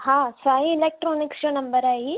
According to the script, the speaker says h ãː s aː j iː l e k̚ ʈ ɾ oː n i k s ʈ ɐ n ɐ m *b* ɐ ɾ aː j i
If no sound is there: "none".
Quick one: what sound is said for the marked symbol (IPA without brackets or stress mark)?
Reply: b